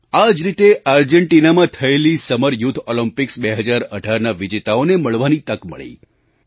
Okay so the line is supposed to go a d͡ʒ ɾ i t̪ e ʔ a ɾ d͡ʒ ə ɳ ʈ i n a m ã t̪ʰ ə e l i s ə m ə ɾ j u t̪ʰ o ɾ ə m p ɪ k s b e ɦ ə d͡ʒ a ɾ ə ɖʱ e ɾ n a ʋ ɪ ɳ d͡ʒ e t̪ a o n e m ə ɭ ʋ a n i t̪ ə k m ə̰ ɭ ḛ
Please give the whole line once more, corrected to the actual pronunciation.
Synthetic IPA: a d͡ʒ ɾ i t̪ e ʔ a ɾ d͡ʒ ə ɳ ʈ i n a m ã t̪ʰ ə e l i s ə m ə ɾ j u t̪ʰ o l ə m p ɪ k s b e ɦ ə d͡ʒ a ɾ ə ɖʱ a ɾ n a ʋ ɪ d͡ʒ e t̪ a o n e m ə ɭ ʋ a n i t̪ ə k m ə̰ ɭ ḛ

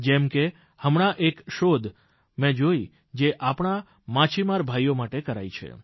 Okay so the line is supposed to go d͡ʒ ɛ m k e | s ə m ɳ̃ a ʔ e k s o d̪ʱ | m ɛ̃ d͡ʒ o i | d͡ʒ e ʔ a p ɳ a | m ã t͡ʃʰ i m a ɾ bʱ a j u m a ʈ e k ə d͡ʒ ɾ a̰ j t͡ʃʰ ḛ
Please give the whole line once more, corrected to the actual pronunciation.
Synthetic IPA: d͡ʒ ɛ m k e | h ə m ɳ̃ a ʔ e k ʃ o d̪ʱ | m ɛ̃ d͡ʒ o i | d͡ʒ e ʔ a p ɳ a | m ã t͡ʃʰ i m a ɾ bʱ a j o m a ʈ e k ə ɾ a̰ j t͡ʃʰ ḛ

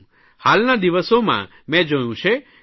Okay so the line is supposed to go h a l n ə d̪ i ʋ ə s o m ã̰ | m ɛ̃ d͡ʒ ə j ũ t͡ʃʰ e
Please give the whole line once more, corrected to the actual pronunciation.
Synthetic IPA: h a l n a d̪ i ʋ ə s o m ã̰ | m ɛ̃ d͡ʒ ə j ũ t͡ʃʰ e

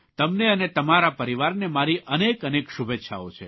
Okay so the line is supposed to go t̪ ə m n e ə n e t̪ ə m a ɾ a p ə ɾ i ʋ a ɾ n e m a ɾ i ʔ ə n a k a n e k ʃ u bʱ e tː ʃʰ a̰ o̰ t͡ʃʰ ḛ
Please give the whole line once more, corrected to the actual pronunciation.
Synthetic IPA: t̪ ə m n e ə n e t̪ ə m a ɾ a p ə ɾ i ʋ a ɾ n e m a ɾ i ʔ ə n e k ə n e k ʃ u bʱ e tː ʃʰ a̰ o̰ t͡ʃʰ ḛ

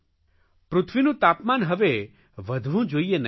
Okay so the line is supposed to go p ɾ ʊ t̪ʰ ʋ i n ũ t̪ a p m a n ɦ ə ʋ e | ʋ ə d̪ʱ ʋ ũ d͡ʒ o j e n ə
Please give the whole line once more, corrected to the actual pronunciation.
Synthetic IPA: p ɾ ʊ t̪ʰ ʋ i n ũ t̪ a p m a n ɦ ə ʋ e | ʋ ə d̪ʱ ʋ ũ d͡ʒ o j e n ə

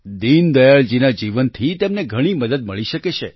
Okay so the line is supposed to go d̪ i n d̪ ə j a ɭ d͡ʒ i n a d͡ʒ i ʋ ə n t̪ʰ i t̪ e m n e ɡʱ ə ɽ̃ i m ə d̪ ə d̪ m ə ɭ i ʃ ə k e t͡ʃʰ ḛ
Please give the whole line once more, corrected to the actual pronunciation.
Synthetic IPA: d̪ i n d̪ ə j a ɭ d͡ʒ i n a d͡ʒ i ʋ ə n t̪ʰ i t̪ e m n e ɡʱ ə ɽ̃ i m ə d̪ ə d̪ m ə ɭ i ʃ ə k e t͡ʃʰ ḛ

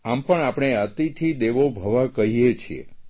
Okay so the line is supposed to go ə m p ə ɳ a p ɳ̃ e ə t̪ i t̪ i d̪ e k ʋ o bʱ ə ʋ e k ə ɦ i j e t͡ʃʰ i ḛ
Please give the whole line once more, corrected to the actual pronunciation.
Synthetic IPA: a m p ə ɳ a p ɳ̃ e ə t̪ i t̪ʰ i d̪ e ʋ o bʱ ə ʋ a k ə ɦ i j e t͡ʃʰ i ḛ

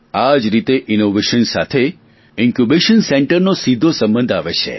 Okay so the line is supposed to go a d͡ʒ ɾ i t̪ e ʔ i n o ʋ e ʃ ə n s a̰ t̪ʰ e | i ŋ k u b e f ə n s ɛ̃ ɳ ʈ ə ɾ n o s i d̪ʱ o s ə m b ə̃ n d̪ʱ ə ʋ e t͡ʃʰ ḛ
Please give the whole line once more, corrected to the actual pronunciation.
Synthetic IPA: a d͡ʒ ɾ i t̪ e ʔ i n o ʋ e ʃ ə n s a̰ t̪ʰ e | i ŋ k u b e ʃ ə n s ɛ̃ ɳ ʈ ə ɾ n o s i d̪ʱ o s ə m b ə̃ n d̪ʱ a ʋ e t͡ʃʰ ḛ

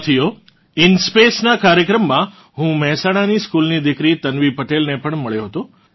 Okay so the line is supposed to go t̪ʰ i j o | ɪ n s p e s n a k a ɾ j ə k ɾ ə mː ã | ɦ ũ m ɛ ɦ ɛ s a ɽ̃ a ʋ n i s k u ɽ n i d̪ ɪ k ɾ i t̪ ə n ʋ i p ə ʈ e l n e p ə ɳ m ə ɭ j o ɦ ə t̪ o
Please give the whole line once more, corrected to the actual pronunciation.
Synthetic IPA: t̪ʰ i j o | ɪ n s p e s n a k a ɾ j ə k ɾ ə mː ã | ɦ ũ m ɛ ɦ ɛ s a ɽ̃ a n i s k u l n i d̪ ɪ k ɾ i t̪ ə n ʋ i p ə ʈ e l n e p ə ɳ m ə ɭ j o ɦ ə t̪ o

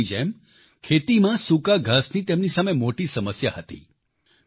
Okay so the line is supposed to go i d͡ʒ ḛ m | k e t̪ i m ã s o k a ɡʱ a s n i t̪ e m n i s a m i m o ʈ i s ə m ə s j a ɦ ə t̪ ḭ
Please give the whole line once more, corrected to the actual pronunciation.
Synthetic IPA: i d͡ʒ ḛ m | kʰ e t̪ i m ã s u k a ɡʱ a s n i t̪ e m n i s a m e m o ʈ i s ə m ə s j a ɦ ə t̪ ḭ

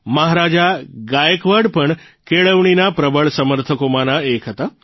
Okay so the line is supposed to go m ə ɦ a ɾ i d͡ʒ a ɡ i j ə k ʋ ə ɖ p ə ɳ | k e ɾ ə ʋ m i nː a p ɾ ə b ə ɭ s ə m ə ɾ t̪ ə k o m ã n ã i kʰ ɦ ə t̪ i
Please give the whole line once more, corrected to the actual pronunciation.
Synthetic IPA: m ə ɦ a ɾ a d͡ʒ a ɡ a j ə k ʋ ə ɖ p ə ɳ | k e ɭ ə ʋ ɳ i n a p ɾ ə b ə ɭ s ə m ə ɾ t̪ʰ ə k o m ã n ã e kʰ ɦ ə t̪ a

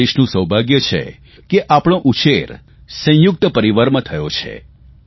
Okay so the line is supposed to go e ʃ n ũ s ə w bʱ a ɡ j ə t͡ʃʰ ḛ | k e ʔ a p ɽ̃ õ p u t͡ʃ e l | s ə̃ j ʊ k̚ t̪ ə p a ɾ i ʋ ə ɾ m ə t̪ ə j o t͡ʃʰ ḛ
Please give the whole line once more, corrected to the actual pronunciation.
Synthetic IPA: e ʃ n ũ s ə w bʱ a ɡ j ə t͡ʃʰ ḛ | k e ʔ a p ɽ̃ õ ʔ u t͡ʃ e ɾ | s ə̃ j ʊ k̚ t̪ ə p ə ɾ i ʋ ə ɾ m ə t̪ʰ ə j o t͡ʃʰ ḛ

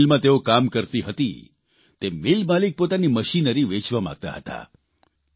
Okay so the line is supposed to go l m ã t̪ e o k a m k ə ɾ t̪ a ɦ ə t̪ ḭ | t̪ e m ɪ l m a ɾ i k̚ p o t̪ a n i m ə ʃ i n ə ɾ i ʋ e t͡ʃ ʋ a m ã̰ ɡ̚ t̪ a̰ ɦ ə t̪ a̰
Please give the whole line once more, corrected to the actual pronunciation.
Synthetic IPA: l m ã t̪ e o k a m k ə ɾ t̪ i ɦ ə t̪ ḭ | t̪ e m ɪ l m a l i k̚ p o t̪ a n i m ə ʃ i n ə ɾ i ʋ e t͡ʃ ʋ a m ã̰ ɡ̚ t̪ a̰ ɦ ə t̪ a̰

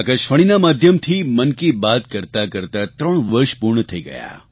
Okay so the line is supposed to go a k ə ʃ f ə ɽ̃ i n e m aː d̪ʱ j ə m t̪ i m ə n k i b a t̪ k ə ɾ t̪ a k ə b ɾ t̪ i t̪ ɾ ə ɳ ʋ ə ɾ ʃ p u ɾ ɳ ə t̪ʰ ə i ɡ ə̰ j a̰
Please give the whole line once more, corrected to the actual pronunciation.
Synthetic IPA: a k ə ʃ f ə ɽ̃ i n a m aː d̪ʱ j ə m t̪ʰ i m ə n k i b a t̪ k ə ɾ t̪ a k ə ɾ t̪ a t̪ ɾ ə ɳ ʋ ə ɾ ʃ p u ɾ ɳ ə t̪ʰ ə i ɡ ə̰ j a̰

